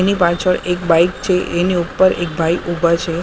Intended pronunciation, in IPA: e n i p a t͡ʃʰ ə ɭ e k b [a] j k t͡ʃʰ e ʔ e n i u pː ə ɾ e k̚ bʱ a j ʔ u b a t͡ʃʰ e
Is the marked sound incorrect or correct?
correct